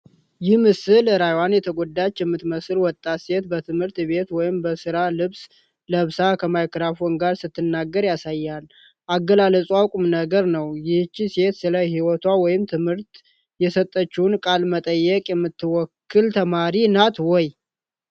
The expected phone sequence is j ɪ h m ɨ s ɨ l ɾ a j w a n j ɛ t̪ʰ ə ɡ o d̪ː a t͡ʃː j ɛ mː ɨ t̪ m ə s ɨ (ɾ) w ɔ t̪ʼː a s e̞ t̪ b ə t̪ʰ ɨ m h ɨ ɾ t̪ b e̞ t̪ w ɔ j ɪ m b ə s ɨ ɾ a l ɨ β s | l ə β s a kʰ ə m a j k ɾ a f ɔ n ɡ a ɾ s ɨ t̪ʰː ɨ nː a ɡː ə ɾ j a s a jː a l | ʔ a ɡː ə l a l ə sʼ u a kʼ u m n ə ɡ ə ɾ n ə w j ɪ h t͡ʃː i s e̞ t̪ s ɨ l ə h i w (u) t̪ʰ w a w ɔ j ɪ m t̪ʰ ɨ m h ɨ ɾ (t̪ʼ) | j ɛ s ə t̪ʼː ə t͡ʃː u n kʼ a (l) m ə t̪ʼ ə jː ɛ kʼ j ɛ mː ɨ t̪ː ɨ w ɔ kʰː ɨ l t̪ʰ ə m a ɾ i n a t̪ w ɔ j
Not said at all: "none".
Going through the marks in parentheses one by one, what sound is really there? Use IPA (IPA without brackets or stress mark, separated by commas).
l, ɔ, t̪, l